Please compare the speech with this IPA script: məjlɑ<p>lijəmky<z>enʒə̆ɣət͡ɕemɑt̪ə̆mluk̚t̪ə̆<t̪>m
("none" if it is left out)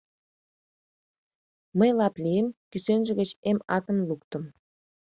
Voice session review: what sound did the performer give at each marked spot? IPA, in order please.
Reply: p, s, none

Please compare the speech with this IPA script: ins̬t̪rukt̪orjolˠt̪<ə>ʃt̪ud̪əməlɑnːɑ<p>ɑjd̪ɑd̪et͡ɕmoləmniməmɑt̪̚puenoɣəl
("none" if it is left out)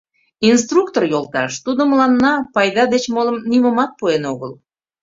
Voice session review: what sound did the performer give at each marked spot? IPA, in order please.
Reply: ɑ, p

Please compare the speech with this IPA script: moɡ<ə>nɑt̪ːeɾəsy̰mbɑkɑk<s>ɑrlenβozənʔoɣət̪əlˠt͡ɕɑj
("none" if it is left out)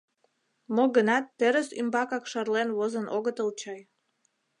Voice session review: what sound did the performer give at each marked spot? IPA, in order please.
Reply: ə, ʃ

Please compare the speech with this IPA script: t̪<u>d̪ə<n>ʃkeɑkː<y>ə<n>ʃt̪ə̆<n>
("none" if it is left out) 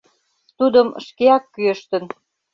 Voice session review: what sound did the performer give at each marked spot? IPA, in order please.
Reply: u, m, y, none, n

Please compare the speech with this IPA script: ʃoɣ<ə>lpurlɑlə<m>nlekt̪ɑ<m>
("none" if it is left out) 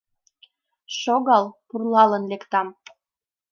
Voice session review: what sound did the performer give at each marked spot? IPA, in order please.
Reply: ɑ, none, m

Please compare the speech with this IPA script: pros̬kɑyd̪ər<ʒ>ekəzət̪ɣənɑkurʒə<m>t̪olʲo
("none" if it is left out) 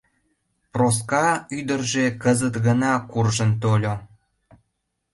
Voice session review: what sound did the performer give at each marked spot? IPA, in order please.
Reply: ʒ, n

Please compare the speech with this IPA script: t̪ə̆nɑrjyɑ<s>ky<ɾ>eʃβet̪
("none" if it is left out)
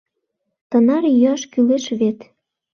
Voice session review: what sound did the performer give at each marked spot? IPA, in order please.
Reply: ʃ, l

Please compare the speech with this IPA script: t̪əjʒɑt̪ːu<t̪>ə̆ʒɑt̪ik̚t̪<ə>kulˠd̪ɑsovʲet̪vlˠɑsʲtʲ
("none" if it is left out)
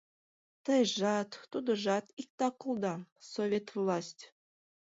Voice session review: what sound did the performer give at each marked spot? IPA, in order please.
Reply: d̪, ɑ

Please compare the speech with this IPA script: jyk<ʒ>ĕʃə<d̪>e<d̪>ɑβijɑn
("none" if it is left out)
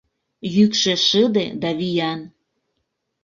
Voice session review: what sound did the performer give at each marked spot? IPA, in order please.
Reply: ʃ, d̪, d̪

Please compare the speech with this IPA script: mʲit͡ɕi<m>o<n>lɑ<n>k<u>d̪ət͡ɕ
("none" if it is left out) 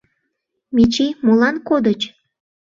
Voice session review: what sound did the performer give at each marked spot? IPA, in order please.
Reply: m, none, n, o

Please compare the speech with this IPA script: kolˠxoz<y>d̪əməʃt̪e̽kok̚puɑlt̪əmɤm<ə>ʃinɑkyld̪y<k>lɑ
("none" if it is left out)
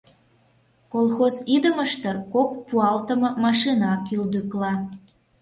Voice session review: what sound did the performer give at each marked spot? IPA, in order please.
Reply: i, ɑ, k

